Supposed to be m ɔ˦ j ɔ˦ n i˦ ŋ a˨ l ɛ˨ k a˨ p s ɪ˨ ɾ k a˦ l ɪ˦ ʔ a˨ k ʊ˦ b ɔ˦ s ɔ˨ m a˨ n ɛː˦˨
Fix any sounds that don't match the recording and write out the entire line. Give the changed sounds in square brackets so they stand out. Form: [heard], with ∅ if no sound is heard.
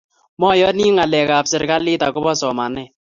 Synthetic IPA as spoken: m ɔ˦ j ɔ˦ n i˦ ŋ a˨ l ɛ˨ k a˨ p s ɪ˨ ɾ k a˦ l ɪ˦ [t] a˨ k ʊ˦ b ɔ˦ s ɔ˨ m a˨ n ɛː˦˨